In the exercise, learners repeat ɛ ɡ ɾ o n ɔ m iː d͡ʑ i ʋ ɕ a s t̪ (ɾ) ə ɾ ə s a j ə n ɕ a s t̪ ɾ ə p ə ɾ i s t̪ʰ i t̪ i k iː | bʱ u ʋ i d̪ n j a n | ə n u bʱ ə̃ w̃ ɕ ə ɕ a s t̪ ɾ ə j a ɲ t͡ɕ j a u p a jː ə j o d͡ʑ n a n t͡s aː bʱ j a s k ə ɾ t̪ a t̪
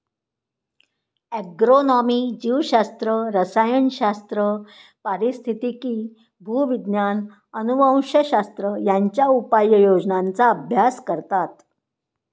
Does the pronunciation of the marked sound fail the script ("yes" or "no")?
no